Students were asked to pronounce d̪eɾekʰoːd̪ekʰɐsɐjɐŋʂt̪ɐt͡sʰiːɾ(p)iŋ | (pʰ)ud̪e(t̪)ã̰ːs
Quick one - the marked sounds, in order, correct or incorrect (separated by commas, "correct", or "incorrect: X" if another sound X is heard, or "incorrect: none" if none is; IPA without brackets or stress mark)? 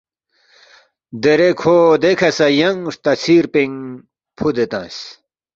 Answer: correct, correct, correct